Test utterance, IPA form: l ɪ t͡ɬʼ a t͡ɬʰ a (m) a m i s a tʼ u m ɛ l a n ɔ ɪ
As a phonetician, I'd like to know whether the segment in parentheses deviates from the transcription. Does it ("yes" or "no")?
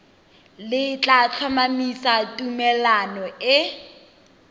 no